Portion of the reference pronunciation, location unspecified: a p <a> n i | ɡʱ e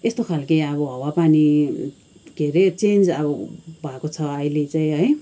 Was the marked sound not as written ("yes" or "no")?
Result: no